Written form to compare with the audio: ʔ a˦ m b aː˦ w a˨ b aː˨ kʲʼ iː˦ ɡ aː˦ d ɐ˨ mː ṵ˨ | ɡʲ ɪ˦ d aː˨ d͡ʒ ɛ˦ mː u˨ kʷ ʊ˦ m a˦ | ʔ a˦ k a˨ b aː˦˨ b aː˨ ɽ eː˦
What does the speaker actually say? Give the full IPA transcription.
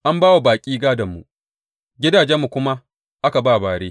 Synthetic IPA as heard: ʔ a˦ m b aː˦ w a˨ b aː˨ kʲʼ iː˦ ɡ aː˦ d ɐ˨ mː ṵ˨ | ɡʲ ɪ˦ d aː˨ d͡ʒ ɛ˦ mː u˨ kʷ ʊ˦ m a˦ | ʔ a˦ k a˨ b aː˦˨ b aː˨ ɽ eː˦

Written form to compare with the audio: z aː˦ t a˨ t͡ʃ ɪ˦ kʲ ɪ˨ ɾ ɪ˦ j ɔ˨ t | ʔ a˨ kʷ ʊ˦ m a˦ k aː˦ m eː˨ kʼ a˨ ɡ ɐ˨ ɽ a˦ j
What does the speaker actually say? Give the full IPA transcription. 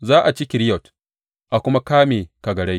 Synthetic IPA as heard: z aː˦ ʔ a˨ t͡ʃ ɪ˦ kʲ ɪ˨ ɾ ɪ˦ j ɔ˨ t | ʔ a˨ kʷ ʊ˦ m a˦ k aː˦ m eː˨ k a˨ ɡ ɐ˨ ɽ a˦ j

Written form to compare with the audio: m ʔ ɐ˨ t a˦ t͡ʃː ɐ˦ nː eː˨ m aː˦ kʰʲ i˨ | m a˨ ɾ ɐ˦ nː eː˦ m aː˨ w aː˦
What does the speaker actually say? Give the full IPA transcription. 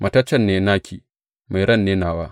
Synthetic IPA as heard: m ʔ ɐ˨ t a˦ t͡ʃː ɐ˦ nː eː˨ n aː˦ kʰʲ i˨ | m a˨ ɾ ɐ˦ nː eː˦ n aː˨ w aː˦

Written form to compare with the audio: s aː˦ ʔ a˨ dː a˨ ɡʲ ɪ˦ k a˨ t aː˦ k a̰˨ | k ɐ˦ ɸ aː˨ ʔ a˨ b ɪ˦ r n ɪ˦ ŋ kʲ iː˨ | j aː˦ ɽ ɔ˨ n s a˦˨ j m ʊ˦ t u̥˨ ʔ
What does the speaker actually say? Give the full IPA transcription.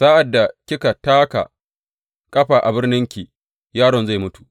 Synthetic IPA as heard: s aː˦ ʔ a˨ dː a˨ kʲ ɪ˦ k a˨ t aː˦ k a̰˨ | kʼ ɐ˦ ɸ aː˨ ʔ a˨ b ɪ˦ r n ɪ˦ ŋ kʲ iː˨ | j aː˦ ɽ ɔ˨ n z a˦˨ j m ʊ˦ t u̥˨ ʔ

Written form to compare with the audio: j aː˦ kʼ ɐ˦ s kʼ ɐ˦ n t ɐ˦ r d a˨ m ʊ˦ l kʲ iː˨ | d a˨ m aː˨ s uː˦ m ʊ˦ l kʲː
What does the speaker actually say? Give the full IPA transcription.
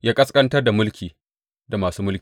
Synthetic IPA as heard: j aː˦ kʼ ɐ˦ s kʼ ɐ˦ n t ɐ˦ r d a˨ m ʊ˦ l kʲ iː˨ | d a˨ m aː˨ s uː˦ m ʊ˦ l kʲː

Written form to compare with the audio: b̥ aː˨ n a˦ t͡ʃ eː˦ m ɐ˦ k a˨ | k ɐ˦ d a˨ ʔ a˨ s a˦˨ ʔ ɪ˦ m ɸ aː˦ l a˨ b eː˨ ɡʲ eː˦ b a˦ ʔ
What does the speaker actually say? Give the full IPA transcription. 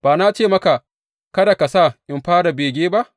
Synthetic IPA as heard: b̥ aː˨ n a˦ t͡ʃ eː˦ m ɐ˦ k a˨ | k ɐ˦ d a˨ k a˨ s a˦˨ ʔ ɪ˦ m ɸ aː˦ ɽ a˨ b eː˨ ɡʲ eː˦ b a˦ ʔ

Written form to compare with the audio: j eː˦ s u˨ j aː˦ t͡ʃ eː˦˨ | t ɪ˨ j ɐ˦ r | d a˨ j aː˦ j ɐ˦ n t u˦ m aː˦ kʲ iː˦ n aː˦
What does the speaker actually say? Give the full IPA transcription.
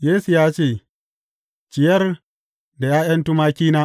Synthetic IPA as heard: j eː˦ s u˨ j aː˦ t͡ʃ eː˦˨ | t͡ʃ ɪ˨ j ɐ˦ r | d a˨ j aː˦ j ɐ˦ n t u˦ m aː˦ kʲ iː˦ n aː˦

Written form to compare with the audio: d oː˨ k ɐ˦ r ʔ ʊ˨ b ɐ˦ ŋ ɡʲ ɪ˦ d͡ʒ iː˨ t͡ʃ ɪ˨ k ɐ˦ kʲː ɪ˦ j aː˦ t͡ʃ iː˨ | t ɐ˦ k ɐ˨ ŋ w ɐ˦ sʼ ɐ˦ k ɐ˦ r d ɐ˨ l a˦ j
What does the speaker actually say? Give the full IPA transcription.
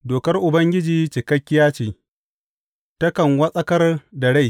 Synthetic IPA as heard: d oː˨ k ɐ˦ r ʔ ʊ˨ b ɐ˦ ŋ ɡʲ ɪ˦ d͡ʒ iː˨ t͡ʃ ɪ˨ k ɐ˦ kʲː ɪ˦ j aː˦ t͡ʃ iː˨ | t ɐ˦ k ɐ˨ ŋ w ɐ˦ sʼ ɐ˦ k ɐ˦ r d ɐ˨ ɽ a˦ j

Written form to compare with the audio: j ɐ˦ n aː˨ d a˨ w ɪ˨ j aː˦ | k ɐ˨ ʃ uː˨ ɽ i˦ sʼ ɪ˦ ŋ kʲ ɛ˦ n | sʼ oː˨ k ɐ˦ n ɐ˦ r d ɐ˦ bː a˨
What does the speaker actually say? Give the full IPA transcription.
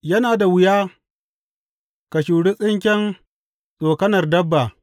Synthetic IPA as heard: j ɐ˦ n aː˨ d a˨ w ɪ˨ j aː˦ | k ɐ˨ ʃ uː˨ ɽ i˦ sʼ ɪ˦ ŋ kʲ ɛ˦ n | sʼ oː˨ k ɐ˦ n ɐ˨ r d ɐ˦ bː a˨

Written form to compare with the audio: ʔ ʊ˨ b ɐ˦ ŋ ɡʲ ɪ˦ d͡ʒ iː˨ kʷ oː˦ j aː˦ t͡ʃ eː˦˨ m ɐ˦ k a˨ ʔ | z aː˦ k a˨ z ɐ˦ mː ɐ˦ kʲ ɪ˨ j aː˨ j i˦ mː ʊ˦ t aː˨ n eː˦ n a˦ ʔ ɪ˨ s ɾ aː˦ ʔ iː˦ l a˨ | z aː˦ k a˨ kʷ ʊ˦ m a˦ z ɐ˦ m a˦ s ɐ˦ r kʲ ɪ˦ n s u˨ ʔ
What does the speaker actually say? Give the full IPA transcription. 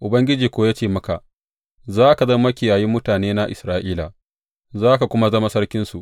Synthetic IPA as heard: ʔ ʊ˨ b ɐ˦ ŋ ɡʲ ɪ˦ d͡ʒ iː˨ kʷ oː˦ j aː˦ t͡ʃ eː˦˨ m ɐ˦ k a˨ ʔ | z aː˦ k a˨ z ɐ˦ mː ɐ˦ kʲ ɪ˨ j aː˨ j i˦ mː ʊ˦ t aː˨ n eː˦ n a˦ ʔ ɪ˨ s ɾ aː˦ ʔ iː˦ l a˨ | z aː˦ k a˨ kʷ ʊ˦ m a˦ z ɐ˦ m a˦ s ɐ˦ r kʲ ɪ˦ n s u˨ ʔ

